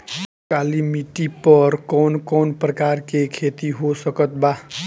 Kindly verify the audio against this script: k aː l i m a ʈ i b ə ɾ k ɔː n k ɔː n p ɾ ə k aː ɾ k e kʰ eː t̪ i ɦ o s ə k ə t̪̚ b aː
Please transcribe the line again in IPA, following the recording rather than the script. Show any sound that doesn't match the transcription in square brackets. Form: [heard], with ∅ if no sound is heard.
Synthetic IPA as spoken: k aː l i m [i] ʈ i [p] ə ɾ k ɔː n k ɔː n p ɾ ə k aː ɾ k e kʰ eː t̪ i ɦ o s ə k ə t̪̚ b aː